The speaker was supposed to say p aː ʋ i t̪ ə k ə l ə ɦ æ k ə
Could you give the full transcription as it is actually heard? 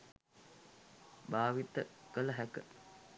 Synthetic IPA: b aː ʋ i t̪ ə k ə l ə ɦ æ k ə